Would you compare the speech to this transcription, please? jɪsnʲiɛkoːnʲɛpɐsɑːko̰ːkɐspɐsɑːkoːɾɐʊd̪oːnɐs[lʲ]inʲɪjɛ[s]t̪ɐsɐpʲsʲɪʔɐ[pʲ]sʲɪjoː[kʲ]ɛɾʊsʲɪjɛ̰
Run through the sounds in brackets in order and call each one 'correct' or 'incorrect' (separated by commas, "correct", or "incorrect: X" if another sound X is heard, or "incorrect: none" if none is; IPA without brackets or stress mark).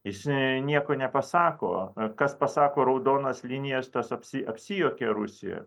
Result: correct, correct, correct, correct